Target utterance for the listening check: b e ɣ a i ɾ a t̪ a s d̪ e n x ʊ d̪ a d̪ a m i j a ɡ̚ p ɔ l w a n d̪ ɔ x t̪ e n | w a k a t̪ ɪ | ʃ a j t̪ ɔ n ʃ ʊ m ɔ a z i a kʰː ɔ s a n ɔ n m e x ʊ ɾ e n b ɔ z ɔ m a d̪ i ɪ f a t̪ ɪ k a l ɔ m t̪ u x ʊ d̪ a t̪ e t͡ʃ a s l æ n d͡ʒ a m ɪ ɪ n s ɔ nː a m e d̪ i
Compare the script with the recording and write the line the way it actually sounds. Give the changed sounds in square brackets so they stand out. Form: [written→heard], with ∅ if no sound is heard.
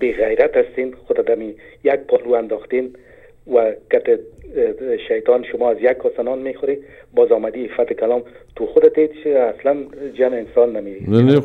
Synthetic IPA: b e ɣ a [i→j] ɾ a t̪ a s [d̪→t̪] e n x ʊ d̪ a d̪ a m i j a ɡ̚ p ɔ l [w→u] a n d̪ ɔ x t̪ e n | w a k a t̪ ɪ | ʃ a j t̪ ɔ n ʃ ʊ m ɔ a z [i→j] a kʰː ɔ s a n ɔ n m e x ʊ ɾ e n b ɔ z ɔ m a d̪ i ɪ f a t̪ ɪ k a l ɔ m t̪ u x ʊ d̪ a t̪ e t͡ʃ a s l [æ→a] n d͡ʒ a m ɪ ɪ n s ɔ nː a m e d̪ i